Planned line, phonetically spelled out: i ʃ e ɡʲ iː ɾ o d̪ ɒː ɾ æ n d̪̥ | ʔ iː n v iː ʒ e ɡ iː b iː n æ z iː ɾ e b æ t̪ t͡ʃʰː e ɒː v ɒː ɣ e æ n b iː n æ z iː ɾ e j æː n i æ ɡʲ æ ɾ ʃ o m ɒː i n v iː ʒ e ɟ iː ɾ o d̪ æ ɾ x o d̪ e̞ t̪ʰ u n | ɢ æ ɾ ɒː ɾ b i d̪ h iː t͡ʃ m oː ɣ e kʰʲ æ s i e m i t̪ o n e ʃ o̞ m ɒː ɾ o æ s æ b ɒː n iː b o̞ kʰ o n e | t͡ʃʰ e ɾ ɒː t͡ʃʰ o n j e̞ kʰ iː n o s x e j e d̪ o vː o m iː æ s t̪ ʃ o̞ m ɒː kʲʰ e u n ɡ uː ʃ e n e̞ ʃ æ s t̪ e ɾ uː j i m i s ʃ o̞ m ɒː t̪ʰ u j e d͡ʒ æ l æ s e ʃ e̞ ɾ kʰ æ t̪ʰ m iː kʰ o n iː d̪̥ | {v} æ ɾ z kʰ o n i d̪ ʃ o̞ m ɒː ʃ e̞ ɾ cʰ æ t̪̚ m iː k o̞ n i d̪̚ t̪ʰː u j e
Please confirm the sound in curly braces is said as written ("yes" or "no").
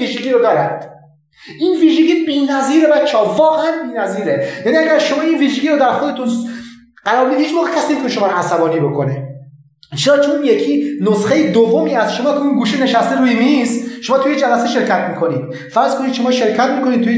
no